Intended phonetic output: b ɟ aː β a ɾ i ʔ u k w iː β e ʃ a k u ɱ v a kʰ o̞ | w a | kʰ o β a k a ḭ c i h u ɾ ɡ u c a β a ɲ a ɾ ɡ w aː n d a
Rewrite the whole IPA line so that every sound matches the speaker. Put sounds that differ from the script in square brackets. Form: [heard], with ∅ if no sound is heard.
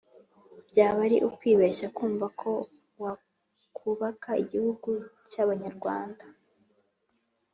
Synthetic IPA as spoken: b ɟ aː β a ɾ i ʔ u k w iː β e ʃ a k [uː] ɱ v a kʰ o̞ | w a | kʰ [u] β a k a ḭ [ɟ] i h u [∅] ɡ u c a β a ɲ a ɾ ɡ w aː n d a

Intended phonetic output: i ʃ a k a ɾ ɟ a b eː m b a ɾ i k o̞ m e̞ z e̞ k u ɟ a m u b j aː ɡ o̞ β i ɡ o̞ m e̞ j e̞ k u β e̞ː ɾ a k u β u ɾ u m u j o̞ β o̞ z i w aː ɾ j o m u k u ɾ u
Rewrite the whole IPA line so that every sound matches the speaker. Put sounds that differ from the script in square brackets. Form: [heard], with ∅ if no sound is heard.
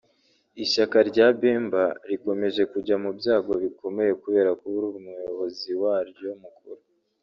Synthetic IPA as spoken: i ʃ a k a ɾ ɟ a b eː m b a ɾ i k o̞ m e̞ [ʒ] e̞ k u ɟ a m u b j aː ɡ o̞ β i [k] o̞ m e̞ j e̞ k u β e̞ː ɾ a k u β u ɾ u m u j o̞ β o̞ z i w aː ɾ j o m u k u ɾ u

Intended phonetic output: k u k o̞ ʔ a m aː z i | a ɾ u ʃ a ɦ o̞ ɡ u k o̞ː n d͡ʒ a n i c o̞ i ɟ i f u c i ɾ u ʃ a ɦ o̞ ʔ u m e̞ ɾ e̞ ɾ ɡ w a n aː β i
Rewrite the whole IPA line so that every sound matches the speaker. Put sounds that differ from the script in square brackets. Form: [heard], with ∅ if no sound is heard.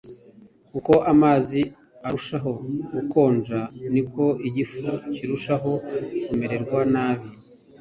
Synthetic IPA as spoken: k u k o̞ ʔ a m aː z i | a ɾ u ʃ a ɦ o̞ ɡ u k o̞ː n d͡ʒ a n i [k] o̞ i ɟ i f u c i ɾ u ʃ a ɦ o̞ [k] u m e̞ ɾ e̞ ɾ ɡ w a n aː β i

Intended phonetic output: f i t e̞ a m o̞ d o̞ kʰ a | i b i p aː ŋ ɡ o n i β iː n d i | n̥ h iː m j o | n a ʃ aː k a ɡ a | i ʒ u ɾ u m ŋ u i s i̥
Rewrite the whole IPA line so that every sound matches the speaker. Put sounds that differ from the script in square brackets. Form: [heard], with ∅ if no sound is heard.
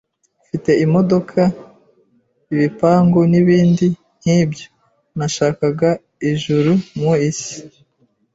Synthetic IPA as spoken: f i t e̞ [i] m o̞ d o̞ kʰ a | i [β] i p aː ŋ ɡ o n i β iː n d i | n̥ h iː [b] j o | n a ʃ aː k a ɡ a | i ʒ u ɾ u m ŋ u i s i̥

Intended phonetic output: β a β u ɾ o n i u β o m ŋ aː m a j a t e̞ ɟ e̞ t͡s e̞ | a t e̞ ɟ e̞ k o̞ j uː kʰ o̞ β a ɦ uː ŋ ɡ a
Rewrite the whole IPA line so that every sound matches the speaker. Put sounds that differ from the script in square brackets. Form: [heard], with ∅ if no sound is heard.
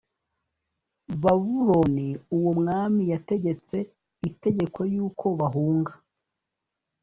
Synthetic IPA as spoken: β a β u ɾ o n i u [w] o m ŋ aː m [i] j a t e̞ ɟ e̞ t͡s e̞ | [i] t e̞ ɟ e̞ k o̞ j uː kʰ o̞ β a ɦ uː ŋ ɡ a

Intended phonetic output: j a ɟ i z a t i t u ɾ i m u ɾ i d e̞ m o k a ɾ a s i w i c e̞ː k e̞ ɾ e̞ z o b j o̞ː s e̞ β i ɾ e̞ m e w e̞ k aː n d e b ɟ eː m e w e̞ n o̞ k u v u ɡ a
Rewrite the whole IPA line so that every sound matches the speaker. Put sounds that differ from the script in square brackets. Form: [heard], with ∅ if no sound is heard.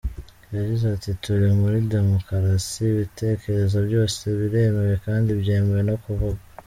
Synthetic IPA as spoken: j a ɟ i z a t i t u ɾ i m u ɾ i d e̞ m o k a ɾ a s i [β] i [t] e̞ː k e̞ ɾ e̞ z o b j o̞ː s e̞ β i ɾ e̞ m e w e̞ k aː n d [i] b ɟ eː m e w e̞ n o̞ k u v u ɡ a

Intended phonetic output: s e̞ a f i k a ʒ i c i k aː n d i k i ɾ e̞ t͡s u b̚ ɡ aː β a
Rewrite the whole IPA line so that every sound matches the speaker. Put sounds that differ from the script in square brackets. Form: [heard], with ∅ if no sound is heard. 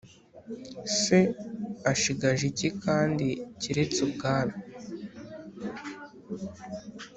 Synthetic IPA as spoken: s e̞ a [ʃ] i [ɡ] a ʒ i c i k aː n d i [c] i ɾ e̞ t͡s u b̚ ɡ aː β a

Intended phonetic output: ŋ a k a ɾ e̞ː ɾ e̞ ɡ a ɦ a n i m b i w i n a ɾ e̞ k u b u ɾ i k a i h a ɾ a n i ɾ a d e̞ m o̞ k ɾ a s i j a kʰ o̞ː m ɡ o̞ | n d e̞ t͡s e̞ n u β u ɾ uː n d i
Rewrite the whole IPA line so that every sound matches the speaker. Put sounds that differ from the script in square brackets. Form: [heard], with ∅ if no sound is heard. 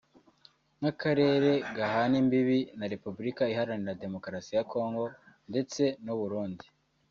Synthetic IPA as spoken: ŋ a k a ɾ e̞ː ɾ e̞ ɡ a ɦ a n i m b i [β] i n a ɾ e̞ [p] u b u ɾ i k a i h a ɾ a n i ɾ a d e̞ m o̞ k ɾ a s i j a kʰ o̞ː [ŋ] ɡ o̞ | n d e̞ t͡s e̞ n u β u ɾ uː n d i

